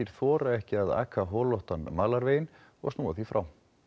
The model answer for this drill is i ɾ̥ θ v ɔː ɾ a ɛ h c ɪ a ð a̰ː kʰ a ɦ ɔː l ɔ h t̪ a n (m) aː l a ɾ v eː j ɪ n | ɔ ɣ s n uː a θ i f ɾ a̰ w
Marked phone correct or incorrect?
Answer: correct